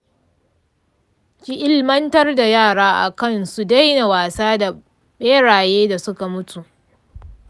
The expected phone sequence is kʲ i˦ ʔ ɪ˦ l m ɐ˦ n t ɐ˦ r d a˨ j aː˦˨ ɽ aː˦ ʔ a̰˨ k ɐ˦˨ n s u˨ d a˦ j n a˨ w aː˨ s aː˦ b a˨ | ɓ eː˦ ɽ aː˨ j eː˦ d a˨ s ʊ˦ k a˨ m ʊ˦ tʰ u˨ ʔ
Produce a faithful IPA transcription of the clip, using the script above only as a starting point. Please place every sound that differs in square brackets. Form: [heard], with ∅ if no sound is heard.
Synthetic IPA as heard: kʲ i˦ ʔ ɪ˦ l m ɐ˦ n t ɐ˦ r d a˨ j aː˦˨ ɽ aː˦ ʔ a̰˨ k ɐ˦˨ n s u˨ d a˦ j n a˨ w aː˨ s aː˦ [d] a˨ | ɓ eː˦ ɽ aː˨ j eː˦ d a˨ s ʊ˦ k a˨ m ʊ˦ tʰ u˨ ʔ